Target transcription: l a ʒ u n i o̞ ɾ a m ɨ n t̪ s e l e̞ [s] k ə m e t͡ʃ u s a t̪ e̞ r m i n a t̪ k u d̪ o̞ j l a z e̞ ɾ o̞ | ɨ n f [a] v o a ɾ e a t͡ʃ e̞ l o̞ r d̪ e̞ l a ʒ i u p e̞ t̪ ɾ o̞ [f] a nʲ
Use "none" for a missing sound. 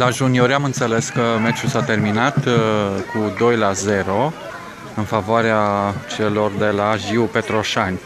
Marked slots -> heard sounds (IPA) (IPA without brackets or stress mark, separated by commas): s, a, ʃ